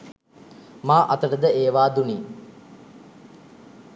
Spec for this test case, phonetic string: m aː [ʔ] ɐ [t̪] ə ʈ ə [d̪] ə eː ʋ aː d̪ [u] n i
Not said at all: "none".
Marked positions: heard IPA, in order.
ʔ, t̪, d̪, u

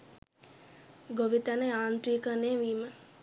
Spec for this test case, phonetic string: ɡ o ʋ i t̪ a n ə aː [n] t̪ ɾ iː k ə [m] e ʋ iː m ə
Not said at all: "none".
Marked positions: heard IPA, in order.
n, n

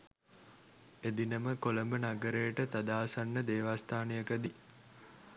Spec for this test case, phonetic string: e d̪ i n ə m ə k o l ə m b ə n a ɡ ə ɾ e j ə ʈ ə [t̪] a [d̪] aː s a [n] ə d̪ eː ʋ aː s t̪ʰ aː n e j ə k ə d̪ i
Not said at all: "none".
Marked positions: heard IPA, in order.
t̪, d̪, nː

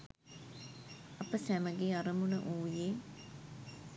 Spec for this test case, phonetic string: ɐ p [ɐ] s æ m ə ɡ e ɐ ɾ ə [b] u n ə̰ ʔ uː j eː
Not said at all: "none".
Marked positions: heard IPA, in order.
ə, m

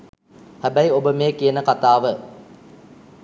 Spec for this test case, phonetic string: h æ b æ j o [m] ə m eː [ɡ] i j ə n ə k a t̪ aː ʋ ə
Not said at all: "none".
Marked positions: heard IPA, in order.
b, k

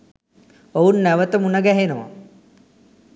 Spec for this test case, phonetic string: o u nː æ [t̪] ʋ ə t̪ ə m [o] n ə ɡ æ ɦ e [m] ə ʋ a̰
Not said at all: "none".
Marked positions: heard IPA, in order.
none, u, n

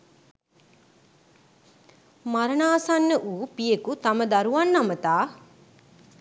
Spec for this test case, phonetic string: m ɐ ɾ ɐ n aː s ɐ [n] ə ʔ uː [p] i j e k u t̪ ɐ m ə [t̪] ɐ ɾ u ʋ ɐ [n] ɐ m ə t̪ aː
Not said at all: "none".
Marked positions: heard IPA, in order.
nː, p, d̪, nː

